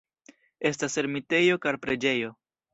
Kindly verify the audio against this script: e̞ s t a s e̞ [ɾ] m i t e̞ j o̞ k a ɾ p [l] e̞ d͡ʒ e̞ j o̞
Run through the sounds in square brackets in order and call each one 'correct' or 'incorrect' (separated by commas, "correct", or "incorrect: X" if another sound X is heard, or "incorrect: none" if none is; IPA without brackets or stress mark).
correct, incorrect: ɾ